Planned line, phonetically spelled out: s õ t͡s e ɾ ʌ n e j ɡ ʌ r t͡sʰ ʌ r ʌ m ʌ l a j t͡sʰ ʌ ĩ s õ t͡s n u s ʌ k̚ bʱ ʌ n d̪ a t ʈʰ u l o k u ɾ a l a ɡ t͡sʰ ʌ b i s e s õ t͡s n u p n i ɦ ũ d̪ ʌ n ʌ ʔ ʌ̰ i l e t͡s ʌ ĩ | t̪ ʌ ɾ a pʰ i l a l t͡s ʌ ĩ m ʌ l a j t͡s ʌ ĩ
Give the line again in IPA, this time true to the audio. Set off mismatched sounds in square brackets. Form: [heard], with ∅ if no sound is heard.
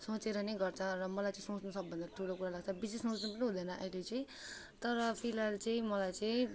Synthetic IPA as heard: s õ t͡s e ɾ ʌ n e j ɡ ʌ r t͡sʰ ʌ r ʌ m ʌ l a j [t͡s] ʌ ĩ s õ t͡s n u s ʌ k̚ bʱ ʌ n d̪ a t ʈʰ u l o k u ɾ a l a ɡ t͡sʰ ʌ b i s e s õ t͡s n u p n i ɦ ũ d̪ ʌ n ʌ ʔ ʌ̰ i l e t͡s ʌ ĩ | t̪ ʌ ɾ [ʌ] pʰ i l a l t͡s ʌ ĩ m ʌ l a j t͡s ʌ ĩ

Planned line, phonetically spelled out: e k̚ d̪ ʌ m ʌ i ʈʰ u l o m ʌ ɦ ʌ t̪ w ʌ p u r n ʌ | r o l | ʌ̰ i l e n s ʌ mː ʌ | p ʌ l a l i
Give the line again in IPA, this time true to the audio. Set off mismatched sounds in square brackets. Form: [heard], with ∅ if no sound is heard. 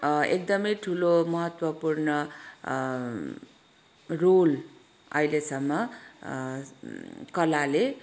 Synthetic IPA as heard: e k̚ d̪ ʌ m ʌ [j] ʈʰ u l o m ʌ ɦ ʌ t̪ w ʌ p u r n ʌ | r o l | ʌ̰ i l e [∅] s ʌ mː ʌ | [k] ʌ l a l [e]

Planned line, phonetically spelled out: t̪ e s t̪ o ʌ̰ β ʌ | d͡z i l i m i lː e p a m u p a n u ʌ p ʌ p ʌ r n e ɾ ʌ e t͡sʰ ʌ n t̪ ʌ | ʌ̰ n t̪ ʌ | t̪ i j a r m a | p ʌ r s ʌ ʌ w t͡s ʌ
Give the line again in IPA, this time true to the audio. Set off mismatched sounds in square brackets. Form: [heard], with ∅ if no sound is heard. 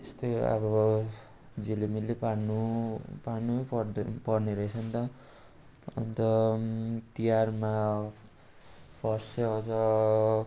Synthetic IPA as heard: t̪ e s t̪ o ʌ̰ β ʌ | d͡z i l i m i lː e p a [n] u p a n u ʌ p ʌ p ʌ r n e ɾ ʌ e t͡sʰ ʌ n t̪ ʌ | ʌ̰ n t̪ ʌ | t̪ i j a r m a | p ʌ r s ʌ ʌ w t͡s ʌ

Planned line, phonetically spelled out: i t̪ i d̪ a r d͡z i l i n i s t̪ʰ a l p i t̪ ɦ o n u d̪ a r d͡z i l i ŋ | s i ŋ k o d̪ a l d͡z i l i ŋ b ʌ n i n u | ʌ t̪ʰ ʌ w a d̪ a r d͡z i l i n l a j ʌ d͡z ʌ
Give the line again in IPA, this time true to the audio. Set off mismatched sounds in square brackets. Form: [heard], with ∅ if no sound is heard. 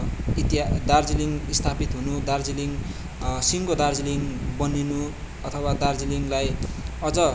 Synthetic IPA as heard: i t̪ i d̪ a r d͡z i l i [ŋ] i s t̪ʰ a [∅] p i t̪ ɦ [u] n u d̪ a r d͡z i l i ŋ | s i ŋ k o d̪ a [r] d͡z i l i ŋ b ʌ n i n u | ʌ t̪ʰ ʌ w a d̪ a r d͡z i l i [ŋ] l a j ʌ d͡z ʌ

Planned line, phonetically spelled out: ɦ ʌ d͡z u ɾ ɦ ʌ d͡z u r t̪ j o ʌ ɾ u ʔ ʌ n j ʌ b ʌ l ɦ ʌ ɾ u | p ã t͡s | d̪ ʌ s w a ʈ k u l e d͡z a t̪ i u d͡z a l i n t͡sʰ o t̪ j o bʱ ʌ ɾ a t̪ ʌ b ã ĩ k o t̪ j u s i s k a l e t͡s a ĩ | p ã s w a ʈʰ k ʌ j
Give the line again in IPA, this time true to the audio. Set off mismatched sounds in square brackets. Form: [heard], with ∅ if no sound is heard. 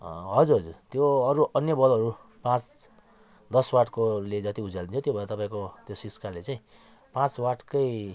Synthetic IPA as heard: ɦ ʌ d͡z u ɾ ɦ ʌ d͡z u r t̪ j o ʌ ɾ u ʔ ʌ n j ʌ b ʌ l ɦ ʌ ɾ u | p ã t͡s | d̪ ʌ s w a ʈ k [o] l e d͡z [ʌ] t̪ i u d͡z a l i n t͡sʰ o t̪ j o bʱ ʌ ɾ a t̪ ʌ [p] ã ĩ k o t̪ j [o] s i s k a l e t͡s a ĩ | p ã [t͡s] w a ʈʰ k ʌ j

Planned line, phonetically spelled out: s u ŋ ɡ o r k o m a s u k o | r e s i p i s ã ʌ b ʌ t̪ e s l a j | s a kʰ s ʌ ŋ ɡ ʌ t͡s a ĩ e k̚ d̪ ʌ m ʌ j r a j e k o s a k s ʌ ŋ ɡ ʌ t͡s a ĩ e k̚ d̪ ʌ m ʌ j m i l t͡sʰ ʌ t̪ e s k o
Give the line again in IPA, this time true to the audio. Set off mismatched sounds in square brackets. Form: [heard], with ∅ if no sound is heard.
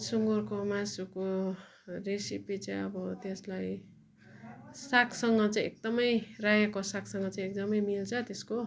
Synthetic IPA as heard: s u ŋ ɡ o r k o m a s u k o | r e s i p i [t͡s] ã ʌ b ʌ t̪ e s l a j | s a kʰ s ʌ ŋ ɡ ʌ t͡s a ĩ e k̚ d̪ ʌ m ʌ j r a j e k o s a k s ʌ ŋ ɡ ʌ t͡s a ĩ e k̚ d̪ ʌ m ʌ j m i l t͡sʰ ʌ t̪ e s k o

